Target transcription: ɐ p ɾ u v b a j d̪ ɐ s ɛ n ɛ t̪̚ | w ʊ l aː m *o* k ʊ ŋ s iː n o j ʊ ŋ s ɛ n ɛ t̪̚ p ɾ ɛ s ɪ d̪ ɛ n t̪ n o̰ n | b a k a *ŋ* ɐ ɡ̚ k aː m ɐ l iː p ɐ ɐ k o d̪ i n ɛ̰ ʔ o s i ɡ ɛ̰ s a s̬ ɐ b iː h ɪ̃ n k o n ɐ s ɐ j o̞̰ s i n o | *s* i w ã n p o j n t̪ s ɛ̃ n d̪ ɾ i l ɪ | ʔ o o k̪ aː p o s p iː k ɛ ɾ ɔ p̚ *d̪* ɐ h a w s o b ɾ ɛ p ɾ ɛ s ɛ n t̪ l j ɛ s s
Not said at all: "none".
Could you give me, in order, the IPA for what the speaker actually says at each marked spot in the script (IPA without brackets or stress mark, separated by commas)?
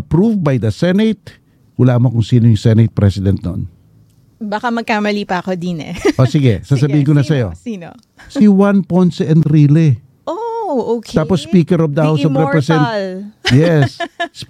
o, m, s, d̪